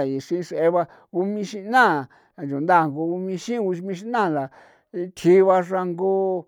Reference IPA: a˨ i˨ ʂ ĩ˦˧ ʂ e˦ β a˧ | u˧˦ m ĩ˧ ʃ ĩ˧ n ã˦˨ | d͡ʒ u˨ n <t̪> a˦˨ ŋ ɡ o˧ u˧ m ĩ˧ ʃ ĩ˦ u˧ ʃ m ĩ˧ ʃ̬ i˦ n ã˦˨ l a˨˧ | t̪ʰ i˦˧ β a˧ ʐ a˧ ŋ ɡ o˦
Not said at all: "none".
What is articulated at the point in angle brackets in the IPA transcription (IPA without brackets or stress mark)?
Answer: d̪